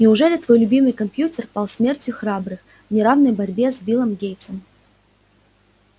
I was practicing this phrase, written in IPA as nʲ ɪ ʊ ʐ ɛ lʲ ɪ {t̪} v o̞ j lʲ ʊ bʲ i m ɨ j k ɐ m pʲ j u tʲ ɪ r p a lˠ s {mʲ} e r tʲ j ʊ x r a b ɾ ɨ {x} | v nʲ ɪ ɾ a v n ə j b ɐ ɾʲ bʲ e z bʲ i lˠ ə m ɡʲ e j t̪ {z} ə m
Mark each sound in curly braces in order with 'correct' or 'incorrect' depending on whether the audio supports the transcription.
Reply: correct, correct, correct, incorrect: s

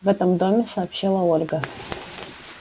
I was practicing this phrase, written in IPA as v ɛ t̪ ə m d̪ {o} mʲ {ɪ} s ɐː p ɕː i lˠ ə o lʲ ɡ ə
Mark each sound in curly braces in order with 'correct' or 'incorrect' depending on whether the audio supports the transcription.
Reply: correct, correct

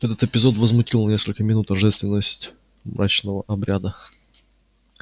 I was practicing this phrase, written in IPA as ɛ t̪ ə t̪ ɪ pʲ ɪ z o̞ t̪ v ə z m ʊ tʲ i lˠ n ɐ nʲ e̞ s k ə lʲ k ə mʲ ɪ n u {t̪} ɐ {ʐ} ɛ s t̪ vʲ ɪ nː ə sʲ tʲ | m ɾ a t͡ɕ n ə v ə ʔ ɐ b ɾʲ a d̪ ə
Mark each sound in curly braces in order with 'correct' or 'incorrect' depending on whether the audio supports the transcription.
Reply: correct, correct

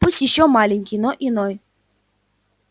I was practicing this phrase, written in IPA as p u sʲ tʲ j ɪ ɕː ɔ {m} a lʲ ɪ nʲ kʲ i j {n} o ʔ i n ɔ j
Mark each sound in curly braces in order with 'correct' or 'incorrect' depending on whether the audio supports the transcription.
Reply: correct, correct

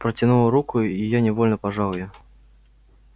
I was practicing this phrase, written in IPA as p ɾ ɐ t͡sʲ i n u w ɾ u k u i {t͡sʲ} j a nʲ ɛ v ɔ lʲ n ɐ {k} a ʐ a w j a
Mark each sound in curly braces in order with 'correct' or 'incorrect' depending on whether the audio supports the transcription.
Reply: incorrect: none, incorrect: p

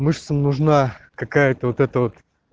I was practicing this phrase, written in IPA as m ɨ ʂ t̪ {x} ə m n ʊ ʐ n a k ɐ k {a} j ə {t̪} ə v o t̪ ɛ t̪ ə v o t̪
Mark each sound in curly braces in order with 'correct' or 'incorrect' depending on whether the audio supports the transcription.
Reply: incorrect: s, correct, correct

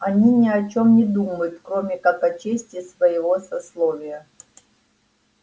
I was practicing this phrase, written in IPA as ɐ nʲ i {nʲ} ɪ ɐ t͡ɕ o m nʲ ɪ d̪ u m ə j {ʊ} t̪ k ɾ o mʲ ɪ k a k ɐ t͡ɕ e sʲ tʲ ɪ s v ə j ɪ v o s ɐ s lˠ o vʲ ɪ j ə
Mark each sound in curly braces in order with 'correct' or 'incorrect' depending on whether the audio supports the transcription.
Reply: correct, correct

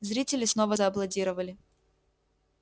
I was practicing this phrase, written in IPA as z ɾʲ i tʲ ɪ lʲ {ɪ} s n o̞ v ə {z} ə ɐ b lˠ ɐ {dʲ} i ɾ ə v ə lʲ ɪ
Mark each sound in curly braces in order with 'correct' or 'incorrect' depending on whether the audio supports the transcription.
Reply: correct, correct, correct

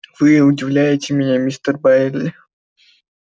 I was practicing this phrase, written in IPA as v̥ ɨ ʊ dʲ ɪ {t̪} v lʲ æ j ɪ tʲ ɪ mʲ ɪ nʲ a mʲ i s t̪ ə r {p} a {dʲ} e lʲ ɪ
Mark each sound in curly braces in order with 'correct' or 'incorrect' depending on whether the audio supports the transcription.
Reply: incorrect: none, incorrect: b, incorrect: none

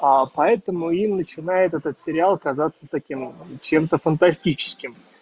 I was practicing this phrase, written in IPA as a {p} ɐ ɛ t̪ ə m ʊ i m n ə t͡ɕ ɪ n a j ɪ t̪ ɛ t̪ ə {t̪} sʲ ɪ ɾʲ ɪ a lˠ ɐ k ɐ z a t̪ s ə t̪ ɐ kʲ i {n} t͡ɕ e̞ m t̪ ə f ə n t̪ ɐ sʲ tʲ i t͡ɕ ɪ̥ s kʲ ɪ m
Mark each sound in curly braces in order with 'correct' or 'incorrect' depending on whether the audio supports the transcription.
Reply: correct, correct, incorrect: m

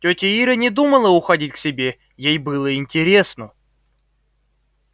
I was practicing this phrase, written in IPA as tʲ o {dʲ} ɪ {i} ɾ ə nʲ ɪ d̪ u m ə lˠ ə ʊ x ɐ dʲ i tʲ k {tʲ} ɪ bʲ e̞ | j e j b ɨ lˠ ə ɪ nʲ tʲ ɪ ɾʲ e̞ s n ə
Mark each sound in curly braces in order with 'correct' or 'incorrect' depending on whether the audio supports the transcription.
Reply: incorrect: tʲ, correct, incorrect: sʲ

